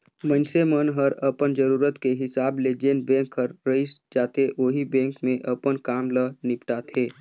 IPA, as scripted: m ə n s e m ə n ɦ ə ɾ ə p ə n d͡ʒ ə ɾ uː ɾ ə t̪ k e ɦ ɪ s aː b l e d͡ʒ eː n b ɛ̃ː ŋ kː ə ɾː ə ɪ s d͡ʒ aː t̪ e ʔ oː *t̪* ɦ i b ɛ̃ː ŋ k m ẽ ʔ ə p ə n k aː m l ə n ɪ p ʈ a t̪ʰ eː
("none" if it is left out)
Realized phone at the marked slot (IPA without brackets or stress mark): none